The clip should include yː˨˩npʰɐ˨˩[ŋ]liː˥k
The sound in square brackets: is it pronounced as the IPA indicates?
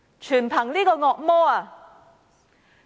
yes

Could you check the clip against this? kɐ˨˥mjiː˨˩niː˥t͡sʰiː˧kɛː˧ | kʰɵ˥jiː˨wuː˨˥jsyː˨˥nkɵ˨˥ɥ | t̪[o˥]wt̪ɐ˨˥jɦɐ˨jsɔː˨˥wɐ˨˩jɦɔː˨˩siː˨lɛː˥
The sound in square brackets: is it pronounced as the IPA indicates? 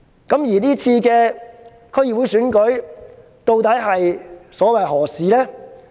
no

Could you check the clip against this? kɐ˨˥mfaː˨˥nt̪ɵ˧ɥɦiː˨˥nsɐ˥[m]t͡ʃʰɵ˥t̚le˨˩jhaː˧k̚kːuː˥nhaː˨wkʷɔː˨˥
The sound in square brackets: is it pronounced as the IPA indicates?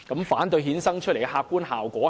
no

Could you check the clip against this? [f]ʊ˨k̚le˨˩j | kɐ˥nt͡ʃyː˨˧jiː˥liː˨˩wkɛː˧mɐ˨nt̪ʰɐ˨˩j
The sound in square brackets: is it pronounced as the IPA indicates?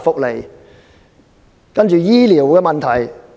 yes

